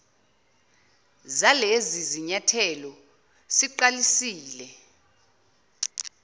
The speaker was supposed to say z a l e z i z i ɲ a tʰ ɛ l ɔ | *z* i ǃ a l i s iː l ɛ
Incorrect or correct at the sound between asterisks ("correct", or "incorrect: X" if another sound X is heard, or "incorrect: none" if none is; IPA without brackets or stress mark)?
incorrect: s